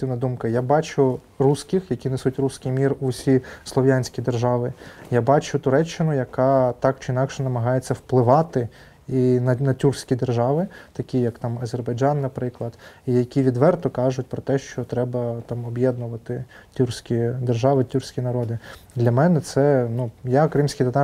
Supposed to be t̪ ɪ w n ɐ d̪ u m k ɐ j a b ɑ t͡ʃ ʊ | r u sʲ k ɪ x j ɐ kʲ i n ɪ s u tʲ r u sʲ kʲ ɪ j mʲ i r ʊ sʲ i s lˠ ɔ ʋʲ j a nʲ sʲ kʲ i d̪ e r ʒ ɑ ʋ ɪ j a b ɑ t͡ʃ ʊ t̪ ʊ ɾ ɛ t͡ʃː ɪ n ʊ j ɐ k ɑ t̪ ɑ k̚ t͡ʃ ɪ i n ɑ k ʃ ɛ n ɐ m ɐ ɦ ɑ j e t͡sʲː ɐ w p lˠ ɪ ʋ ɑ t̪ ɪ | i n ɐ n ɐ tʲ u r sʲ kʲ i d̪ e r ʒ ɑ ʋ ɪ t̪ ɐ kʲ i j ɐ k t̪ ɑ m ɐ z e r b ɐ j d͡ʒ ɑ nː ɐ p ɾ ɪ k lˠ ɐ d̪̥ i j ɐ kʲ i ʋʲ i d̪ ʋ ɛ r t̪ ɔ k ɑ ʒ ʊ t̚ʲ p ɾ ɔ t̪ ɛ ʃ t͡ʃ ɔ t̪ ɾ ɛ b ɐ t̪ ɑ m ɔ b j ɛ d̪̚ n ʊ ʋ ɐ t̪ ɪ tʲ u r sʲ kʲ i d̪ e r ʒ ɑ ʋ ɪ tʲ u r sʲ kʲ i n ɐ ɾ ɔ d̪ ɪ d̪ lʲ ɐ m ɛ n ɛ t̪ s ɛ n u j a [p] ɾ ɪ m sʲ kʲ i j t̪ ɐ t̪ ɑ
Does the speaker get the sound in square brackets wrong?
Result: yes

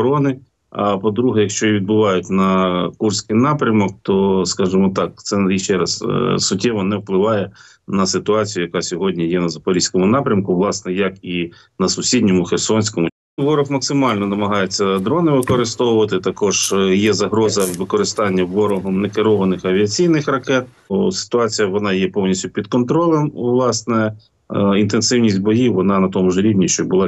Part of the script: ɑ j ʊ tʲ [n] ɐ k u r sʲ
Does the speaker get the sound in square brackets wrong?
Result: no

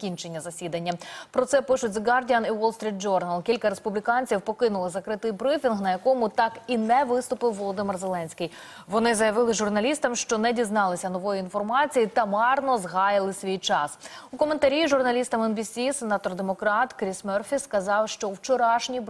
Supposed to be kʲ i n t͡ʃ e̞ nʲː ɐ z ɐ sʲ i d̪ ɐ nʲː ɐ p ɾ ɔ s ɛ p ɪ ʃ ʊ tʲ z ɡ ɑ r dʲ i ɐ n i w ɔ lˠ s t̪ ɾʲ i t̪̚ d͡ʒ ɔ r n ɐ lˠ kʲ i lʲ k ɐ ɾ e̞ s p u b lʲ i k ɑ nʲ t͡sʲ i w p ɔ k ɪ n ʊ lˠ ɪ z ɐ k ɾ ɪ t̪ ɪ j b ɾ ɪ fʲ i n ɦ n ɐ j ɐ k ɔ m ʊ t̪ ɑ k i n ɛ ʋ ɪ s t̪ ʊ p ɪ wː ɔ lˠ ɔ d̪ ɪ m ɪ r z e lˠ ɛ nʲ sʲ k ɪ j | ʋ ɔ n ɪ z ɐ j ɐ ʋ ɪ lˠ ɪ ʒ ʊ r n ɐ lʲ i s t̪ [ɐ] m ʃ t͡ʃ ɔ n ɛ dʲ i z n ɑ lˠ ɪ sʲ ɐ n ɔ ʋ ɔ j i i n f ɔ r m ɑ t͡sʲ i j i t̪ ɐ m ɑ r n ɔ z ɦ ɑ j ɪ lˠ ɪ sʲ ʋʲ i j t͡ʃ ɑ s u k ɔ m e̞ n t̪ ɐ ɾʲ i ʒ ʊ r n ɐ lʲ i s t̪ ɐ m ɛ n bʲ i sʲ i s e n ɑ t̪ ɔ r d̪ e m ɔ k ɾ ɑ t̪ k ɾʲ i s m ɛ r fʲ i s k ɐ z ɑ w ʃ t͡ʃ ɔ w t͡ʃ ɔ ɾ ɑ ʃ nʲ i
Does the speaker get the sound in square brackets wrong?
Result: no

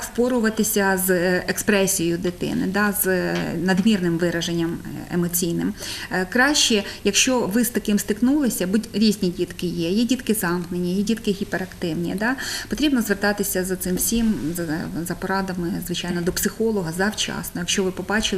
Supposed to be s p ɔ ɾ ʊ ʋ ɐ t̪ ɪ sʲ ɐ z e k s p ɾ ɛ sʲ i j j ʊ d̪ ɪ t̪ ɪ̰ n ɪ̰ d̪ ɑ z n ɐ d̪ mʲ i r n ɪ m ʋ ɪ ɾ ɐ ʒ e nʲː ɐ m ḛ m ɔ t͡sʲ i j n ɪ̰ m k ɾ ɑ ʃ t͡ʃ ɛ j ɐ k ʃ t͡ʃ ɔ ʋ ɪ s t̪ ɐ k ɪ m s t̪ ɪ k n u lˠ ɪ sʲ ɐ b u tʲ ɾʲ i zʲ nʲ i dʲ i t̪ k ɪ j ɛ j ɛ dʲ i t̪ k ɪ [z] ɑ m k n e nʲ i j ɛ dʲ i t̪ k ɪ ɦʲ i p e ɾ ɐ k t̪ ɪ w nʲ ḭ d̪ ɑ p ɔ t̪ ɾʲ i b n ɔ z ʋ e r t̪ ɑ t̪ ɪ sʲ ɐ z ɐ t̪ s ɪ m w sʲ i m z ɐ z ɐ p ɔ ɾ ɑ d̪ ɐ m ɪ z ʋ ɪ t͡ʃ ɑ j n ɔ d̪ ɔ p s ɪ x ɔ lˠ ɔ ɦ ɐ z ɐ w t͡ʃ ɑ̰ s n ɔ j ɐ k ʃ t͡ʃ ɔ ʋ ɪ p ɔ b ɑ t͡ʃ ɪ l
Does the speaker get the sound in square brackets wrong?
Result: no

